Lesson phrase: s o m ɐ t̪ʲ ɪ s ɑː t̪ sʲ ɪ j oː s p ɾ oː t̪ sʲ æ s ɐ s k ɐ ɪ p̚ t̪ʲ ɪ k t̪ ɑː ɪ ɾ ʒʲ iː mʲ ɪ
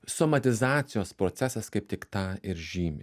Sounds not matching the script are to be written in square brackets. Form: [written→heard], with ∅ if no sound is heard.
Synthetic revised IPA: s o m ɐ t̪ʲ ɪ [s→z] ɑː t̪ sʲ ɪ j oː s p ɾ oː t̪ sʲ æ s ɐ s k ɐ ɪ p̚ t̪ʲ ɪ k t̪ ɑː ɪ ɾ ʒʲ iː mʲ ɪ